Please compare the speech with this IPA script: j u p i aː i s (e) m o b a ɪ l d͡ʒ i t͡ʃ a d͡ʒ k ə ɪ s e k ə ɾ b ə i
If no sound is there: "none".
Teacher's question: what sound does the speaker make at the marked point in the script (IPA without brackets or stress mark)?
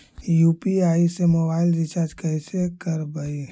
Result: e